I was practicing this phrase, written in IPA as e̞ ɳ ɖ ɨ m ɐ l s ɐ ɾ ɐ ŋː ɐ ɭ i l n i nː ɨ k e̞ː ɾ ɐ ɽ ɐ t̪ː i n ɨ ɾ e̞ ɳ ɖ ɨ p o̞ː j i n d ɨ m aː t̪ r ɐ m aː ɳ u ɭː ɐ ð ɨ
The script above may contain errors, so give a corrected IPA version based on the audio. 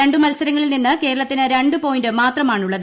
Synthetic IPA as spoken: e̞ ɳ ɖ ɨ m ɐ l s ɐ ɾ ɐ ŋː ɐ ɭ i l n i nː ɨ k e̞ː ɾ ɐ ɭ ɐ t̪ː i n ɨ ɾ e̞ ɳ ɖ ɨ p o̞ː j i n d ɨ m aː t̪ r ɐ m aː ɳ u ɭː ɐ ð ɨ